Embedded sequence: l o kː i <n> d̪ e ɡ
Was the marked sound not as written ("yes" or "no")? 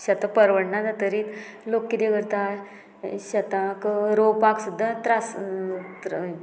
yes